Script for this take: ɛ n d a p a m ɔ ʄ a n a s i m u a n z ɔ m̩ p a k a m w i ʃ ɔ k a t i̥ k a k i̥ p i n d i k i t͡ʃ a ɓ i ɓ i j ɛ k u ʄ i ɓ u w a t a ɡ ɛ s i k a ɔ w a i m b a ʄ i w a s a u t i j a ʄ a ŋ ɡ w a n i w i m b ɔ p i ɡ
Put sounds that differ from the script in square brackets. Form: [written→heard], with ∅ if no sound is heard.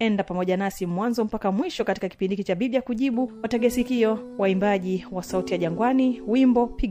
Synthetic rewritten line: ɛ n d a p a m ɔ ʄ a n a s i m [u→w] a n z ɔ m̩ p a k a m w i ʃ ɔ k a t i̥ k a k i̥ p i n d i k i t͡ʃ a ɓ i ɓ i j [ɛ→a] k u ʄ i ɓ u w a t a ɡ ɛ s i k [a→i] ɔ w a i m b a ʄ i w a s a u t i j a ʄ a ŋ ɡ w a n i w i m b ɔ p i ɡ